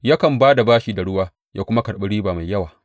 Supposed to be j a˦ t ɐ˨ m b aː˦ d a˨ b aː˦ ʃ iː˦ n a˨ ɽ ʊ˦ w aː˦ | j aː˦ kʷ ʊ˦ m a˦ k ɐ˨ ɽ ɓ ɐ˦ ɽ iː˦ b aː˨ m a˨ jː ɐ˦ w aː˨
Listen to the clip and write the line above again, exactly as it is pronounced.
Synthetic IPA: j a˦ k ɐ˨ m b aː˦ d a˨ b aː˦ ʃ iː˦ d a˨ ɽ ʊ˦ w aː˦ | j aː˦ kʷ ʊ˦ m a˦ k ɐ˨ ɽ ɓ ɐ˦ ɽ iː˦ b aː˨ m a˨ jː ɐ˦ w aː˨